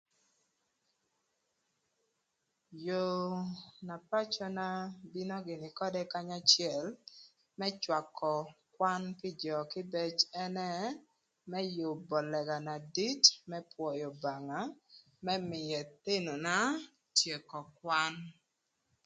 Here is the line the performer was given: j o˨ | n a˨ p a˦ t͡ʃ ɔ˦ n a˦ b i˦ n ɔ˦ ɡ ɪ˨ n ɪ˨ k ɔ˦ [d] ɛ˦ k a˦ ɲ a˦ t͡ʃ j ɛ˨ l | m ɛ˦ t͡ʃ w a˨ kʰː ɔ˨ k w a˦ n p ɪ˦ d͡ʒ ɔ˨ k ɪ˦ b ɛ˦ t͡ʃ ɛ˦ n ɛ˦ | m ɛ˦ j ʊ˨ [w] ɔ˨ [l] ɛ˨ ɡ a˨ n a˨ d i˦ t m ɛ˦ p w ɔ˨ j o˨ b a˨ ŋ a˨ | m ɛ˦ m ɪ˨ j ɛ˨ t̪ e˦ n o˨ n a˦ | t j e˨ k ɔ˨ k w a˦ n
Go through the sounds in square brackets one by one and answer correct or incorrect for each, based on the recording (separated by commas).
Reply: correct, incorrect, correct